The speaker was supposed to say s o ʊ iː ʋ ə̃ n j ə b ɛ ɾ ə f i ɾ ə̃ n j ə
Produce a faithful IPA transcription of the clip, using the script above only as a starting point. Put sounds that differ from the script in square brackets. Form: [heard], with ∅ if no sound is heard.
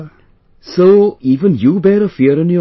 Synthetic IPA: s o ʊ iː [v] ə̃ n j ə b ɛ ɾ ə f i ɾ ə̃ n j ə